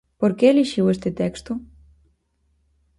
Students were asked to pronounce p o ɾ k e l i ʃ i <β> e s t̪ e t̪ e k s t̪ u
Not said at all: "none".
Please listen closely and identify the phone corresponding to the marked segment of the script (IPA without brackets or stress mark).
w